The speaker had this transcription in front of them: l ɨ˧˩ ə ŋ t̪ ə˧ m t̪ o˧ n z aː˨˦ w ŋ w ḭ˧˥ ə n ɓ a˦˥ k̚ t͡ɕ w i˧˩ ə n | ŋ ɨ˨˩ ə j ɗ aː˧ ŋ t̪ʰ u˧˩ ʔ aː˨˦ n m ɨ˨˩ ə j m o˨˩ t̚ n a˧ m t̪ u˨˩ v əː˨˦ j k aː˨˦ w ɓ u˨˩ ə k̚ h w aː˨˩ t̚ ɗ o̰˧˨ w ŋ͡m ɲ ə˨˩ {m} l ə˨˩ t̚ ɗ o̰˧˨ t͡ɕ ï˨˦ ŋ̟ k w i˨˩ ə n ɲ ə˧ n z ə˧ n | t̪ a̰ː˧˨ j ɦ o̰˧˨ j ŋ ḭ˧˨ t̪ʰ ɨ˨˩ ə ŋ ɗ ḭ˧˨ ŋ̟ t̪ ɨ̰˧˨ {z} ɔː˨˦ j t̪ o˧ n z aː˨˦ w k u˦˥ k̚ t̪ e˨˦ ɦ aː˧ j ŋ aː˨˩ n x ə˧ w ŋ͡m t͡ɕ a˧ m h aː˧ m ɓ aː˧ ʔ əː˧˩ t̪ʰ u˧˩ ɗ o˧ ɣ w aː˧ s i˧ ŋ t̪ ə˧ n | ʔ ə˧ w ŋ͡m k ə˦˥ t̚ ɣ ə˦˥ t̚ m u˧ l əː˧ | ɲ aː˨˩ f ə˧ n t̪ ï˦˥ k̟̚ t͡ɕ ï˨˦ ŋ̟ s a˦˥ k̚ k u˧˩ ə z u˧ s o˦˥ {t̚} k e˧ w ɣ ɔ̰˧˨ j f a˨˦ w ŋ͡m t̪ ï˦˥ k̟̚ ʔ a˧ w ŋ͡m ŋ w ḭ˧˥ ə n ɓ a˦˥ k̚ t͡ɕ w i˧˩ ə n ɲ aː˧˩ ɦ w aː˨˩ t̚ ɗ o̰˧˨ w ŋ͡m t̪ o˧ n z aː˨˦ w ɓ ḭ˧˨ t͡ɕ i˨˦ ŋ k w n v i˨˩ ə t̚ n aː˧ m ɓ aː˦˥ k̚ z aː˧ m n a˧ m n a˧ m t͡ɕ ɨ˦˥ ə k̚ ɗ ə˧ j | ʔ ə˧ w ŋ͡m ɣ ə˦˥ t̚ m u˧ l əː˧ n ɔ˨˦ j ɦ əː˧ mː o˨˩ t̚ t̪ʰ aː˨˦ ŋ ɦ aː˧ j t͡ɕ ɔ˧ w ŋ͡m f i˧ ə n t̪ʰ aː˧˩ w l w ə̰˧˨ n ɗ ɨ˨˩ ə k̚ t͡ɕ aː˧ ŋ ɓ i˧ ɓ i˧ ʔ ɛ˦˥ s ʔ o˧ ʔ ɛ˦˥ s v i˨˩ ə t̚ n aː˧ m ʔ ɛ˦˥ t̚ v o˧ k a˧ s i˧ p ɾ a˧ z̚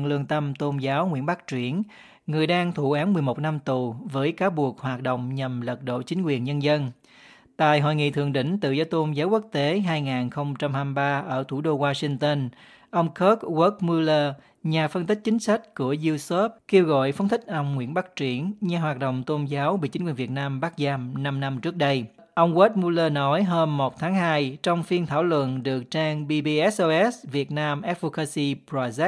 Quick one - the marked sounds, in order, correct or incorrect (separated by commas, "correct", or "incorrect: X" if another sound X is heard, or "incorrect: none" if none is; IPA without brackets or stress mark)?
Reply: correct, correct, incorrect: p̚